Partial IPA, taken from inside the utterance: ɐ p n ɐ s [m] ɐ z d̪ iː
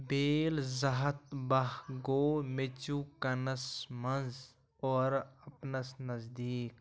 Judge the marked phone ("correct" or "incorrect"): incorrect